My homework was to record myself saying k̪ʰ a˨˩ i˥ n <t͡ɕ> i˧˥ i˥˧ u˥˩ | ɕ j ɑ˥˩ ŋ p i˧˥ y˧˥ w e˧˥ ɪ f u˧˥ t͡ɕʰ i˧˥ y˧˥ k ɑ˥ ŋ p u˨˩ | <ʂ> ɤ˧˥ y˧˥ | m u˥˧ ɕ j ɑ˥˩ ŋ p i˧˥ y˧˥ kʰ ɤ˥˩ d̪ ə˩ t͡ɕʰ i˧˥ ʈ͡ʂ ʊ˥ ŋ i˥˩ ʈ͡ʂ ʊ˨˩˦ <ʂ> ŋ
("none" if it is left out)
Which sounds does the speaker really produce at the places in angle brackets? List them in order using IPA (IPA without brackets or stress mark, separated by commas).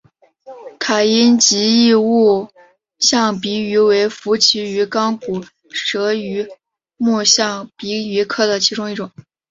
t͡ɕ, ʂ, none